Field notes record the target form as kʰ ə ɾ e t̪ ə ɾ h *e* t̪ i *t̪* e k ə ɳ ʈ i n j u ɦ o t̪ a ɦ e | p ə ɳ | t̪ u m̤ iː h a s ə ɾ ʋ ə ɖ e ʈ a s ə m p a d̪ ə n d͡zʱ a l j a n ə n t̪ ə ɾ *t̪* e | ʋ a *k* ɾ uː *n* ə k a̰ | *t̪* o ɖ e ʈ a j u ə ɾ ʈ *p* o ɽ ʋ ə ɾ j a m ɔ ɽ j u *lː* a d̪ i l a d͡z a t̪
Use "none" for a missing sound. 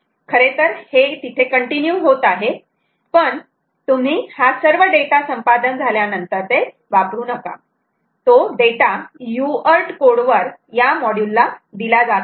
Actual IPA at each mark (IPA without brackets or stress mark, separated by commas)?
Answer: e, t̪ʰ, t̪, p, n, t̪, k, lː